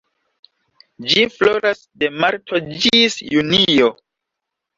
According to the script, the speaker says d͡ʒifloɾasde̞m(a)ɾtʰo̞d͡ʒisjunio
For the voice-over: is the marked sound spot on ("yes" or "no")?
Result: yes